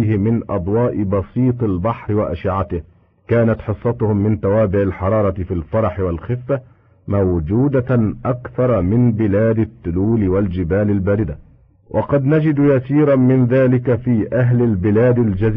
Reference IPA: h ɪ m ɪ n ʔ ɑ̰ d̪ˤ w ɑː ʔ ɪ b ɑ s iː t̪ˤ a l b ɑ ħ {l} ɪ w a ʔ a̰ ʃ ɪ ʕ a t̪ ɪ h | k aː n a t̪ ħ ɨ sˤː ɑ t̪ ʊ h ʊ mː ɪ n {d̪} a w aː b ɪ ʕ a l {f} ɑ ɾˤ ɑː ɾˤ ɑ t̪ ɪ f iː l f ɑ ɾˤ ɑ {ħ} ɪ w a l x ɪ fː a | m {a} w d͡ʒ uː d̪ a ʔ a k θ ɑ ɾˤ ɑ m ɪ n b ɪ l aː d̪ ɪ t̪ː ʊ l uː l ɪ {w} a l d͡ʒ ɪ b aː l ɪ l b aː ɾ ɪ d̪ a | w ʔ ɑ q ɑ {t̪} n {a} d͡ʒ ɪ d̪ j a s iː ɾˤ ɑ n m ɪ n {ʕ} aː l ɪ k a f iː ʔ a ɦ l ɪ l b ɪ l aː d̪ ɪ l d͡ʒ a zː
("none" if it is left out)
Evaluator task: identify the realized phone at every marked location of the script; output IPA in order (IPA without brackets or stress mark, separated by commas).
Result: ɾ, t̪, ħ, ħ, a, w, d̪, a, ð